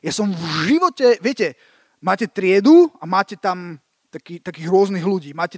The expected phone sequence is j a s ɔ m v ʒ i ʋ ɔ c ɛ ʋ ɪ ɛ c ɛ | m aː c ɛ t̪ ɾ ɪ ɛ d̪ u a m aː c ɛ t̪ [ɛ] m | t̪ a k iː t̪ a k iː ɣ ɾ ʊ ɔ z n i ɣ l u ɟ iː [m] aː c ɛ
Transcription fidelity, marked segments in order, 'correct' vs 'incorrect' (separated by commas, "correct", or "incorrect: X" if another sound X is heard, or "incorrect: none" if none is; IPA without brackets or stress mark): incorrect: a, correct